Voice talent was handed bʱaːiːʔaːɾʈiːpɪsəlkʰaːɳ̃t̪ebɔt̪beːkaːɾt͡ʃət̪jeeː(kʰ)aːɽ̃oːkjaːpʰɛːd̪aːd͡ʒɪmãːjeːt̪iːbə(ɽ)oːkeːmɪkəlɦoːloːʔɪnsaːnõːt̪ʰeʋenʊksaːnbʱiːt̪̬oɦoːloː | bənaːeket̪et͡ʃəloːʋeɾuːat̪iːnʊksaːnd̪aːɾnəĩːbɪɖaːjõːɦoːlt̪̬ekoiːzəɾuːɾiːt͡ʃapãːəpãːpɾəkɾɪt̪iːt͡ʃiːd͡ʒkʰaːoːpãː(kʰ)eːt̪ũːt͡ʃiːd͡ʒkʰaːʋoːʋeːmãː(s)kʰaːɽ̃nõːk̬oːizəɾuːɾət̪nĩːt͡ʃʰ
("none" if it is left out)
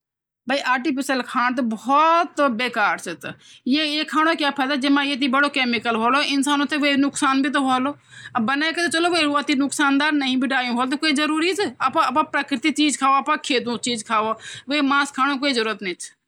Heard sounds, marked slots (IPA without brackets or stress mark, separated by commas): kʰ, ɽ, kʰ, s